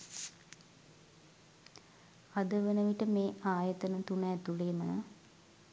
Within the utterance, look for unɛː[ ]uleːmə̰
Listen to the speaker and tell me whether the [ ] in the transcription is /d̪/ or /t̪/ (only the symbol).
t̪